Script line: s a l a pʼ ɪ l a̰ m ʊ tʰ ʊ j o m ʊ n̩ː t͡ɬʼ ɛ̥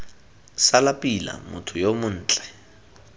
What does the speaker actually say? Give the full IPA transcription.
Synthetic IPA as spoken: s a l a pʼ i l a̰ m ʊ tʰ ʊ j o m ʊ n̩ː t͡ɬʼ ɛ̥